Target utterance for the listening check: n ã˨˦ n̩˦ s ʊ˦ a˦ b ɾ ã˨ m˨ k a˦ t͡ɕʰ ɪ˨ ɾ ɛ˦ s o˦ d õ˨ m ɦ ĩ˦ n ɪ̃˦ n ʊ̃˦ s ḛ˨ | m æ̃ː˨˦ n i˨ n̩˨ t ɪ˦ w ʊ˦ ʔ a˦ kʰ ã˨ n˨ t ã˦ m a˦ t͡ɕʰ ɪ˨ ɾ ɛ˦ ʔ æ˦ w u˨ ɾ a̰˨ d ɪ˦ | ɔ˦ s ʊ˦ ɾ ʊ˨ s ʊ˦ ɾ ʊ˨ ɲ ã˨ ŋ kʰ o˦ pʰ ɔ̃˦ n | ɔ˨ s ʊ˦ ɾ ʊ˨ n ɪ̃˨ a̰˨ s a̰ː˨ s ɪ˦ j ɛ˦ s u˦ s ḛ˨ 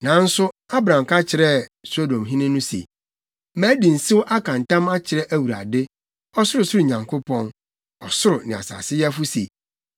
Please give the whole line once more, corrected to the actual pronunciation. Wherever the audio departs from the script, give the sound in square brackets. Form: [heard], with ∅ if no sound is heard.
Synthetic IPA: n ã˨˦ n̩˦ s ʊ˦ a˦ b ɾ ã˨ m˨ k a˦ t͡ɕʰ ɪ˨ ɾ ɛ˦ s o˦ d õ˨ m ɦ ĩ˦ n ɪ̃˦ n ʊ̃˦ s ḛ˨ | m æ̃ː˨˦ [d] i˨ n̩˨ [s] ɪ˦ w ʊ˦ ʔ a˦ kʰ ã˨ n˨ t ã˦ m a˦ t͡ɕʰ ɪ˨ ɾ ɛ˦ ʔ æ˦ w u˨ ɾ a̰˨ d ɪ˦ | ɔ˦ s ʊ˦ ɾ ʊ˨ s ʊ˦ ɾ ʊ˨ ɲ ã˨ ŋ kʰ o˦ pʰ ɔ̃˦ n | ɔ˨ s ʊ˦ ɾ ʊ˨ n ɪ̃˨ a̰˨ s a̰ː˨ s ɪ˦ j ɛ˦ [f] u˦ s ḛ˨